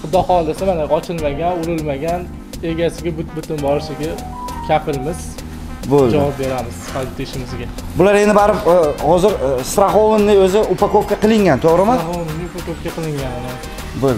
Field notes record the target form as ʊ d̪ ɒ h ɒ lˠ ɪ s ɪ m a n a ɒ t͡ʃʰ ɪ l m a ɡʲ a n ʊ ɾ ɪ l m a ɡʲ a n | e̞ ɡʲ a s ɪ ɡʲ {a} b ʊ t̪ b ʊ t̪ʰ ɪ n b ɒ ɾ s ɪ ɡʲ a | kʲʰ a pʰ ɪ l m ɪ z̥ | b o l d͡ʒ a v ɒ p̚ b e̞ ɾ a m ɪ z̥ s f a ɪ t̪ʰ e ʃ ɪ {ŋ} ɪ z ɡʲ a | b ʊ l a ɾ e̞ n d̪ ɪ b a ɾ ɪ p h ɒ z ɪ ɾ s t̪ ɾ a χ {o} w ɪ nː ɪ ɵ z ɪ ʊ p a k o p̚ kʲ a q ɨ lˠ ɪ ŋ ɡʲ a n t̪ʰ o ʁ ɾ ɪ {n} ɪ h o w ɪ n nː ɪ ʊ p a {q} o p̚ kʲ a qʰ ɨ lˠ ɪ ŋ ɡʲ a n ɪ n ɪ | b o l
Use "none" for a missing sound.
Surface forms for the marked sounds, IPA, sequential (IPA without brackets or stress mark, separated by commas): a, m, o, m, k